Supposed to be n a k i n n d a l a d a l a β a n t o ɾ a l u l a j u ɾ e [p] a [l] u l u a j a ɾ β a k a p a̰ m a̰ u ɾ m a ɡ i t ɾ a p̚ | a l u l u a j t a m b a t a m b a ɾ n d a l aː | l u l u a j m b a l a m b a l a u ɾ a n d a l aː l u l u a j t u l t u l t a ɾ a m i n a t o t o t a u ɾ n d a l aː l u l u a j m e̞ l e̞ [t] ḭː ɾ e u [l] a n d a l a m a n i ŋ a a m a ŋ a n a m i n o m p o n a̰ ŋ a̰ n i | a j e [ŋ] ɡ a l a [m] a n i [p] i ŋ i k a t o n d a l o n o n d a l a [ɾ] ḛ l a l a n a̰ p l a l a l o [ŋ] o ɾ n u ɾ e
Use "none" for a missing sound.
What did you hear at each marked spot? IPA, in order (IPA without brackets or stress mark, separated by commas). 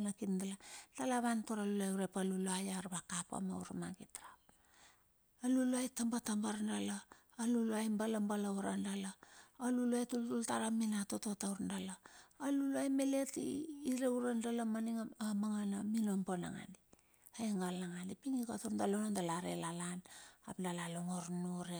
p, l, t, ɾ, ŋ, ŋ, p, ɾ, ŋ